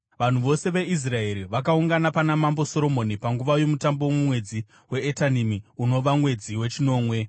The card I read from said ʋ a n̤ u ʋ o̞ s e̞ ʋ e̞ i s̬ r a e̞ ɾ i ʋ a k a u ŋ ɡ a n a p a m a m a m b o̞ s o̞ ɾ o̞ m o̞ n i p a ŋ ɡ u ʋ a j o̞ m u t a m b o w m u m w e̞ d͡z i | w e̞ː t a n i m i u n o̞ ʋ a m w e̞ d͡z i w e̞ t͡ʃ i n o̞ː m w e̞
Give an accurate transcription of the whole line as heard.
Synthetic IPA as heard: ʋ a n̤ u ʋ o̞ s e̞ ʋ e̞ i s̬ r a e̞ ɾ i ʋ a k a u ŋ ɡ a n a p a n a m a m b o̞ s o̞ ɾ o̞ m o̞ n i p a ŋ ɡ u ʋ a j o̞ m u t a m b o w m u m w e̞ d͡z i | w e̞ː t a n i m i u n o̞ ʋ a m w e̞ d͡z i w e̞ t͡ʃ i n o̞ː m w e̞